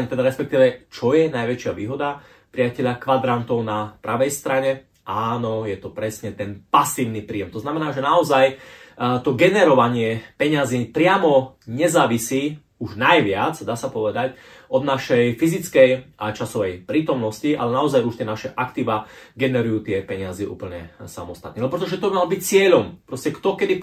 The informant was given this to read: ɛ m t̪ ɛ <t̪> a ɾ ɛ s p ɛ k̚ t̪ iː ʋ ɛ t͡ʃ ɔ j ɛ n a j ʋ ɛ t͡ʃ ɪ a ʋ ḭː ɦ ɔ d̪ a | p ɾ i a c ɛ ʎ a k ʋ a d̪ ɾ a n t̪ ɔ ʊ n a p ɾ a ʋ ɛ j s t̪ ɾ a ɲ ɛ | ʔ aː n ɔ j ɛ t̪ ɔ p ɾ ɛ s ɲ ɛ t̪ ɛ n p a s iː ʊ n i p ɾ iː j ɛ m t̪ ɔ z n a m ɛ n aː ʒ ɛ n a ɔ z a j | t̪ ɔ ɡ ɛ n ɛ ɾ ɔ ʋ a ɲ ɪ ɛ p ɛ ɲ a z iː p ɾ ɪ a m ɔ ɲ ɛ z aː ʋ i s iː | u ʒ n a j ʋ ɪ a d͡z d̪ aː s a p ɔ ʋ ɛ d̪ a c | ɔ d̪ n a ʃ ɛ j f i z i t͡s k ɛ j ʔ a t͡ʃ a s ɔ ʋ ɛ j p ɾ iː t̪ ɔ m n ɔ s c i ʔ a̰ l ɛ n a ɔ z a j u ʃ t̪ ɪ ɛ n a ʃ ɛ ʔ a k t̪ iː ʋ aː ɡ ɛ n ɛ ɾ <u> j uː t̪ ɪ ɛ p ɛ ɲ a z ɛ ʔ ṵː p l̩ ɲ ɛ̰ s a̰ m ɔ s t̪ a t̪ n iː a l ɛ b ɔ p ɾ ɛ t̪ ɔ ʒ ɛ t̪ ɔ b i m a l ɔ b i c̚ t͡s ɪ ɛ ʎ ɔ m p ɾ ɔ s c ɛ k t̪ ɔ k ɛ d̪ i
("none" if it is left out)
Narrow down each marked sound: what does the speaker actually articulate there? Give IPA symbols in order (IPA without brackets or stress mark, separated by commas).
d̪, u